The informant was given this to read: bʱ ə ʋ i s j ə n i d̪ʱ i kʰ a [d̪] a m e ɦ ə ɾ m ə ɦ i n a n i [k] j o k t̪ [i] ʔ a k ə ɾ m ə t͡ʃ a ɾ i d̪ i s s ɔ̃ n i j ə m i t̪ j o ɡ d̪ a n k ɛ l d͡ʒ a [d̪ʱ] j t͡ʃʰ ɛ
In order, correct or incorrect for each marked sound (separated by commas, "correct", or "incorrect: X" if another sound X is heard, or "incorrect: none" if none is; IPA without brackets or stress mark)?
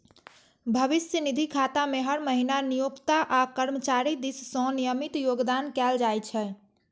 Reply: incorrect: t̪, incorrect: none, incorrect: a, incorrect: none